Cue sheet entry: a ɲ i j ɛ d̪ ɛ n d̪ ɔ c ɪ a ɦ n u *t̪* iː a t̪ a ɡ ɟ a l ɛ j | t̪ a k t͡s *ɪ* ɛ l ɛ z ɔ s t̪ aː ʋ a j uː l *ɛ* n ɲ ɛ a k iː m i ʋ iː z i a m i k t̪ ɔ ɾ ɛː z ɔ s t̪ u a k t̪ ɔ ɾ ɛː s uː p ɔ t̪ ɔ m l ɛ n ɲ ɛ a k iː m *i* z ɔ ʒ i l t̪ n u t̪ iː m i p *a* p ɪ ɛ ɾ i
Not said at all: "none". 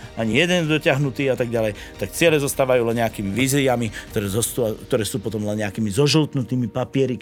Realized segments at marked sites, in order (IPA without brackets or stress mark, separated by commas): t̪, ɪ, ɛ, i, a